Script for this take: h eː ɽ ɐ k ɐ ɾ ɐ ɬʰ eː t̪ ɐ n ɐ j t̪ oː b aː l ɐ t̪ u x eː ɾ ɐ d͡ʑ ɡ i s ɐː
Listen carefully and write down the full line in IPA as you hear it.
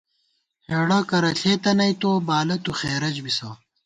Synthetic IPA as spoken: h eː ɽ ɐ k ɐ ɾ ɐ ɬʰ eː t̪ ɐ n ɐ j t̪ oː b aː l ɐ t̪ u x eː ɾ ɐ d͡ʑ b i s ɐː